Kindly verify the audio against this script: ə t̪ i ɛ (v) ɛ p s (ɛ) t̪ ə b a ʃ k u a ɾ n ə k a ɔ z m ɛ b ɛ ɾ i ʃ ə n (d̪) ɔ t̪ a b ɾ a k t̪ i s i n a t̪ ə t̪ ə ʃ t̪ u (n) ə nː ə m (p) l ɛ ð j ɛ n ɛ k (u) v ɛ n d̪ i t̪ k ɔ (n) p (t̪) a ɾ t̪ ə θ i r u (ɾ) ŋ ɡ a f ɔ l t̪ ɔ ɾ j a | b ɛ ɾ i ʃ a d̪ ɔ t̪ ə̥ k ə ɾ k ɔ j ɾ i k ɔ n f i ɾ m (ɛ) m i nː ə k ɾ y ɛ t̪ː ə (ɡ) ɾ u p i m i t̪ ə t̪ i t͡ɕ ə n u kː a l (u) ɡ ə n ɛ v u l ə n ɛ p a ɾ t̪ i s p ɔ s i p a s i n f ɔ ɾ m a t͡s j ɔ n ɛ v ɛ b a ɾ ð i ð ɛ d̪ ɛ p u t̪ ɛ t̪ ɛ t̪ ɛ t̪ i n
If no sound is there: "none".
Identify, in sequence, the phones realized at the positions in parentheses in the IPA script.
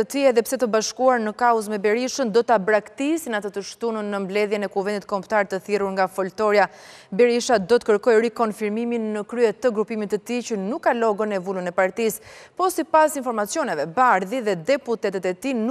ð, ɛ, d̪, n, b, u, m, t̪, ɾ, i, ɡ, ɔ

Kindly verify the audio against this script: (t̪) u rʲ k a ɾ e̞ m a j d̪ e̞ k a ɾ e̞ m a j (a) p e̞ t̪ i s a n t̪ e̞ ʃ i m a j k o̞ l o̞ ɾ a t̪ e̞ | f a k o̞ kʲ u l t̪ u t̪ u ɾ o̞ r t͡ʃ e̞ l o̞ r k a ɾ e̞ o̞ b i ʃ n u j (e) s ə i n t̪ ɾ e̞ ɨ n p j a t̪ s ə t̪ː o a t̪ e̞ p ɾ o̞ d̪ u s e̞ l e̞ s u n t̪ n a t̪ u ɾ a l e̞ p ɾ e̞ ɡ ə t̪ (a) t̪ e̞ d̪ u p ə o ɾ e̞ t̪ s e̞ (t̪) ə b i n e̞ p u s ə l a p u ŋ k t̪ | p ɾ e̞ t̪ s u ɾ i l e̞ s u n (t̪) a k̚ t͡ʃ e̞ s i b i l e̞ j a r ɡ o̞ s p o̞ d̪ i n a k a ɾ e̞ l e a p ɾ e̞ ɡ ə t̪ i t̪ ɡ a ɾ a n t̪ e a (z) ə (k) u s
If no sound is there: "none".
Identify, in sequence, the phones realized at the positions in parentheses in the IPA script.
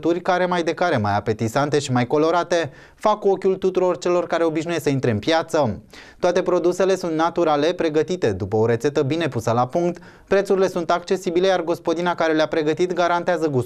t̪, a, e, i, t̪, t̪, z, ɡ

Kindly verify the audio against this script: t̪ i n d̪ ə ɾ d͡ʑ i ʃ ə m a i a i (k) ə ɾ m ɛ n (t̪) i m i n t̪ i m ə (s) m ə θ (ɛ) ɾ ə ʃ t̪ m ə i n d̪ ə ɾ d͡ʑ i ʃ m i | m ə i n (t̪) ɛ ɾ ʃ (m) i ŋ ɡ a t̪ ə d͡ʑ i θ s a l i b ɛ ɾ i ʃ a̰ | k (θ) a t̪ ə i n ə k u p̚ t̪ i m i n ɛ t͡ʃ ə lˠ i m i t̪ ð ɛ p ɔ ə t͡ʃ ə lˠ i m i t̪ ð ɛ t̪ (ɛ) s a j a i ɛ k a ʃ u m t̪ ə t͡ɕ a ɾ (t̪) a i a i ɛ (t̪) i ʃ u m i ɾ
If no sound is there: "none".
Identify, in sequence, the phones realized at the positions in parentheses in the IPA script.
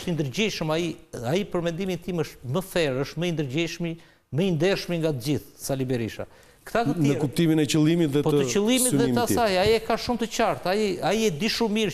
p, d̪, ʃ, ɛ, d̪, m, θ, a, t̪, d̪

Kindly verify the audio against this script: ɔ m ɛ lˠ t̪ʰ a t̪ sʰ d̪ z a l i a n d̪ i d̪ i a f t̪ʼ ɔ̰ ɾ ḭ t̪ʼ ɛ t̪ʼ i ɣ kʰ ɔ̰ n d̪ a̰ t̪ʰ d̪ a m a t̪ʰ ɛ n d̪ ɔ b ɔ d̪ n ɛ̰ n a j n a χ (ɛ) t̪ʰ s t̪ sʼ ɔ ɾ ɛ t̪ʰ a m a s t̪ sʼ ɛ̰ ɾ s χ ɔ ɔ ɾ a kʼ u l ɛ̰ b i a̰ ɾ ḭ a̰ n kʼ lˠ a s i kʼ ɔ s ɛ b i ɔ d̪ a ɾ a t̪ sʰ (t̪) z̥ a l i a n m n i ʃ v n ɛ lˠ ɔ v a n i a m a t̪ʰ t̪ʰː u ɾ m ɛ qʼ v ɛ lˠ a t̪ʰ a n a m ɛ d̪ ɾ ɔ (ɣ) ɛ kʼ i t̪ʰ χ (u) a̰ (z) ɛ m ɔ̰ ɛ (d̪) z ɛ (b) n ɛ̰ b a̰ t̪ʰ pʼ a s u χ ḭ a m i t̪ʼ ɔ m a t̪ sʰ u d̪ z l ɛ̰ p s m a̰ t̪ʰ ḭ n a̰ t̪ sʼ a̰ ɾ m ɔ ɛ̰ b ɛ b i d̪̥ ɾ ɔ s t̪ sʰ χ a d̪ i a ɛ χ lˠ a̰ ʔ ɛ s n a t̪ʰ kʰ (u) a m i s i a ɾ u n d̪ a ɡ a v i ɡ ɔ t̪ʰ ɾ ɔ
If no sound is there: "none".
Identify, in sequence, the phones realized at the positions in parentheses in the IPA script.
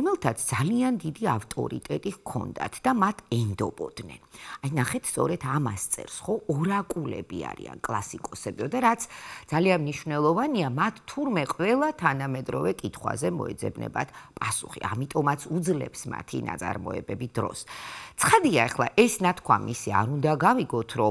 ɛ, d̪, v, w, z, d̪, b, w

